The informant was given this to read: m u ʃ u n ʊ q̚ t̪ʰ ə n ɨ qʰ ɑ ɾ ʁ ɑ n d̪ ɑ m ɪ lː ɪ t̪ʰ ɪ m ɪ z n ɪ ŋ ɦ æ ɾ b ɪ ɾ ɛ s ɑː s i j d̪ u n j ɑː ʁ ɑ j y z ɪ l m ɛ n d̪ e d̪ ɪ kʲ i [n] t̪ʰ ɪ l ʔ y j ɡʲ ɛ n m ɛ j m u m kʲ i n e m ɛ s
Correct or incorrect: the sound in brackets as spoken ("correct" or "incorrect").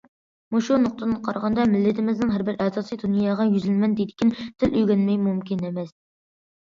correct